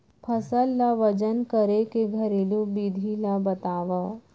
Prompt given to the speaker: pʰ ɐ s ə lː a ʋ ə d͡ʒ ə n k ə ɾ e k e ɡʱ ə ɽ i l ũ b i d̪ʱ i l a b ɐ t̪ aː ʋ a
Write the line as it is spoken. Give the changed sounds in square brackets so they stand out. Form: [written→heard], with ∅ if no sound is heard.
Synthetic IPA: pʰ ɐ s ə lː a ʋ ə d͡ʒ ə n k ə ɾ e k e ɡʱ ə [ɽ→ɾ] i l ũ b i d̪ʱ i l a b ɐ t̪ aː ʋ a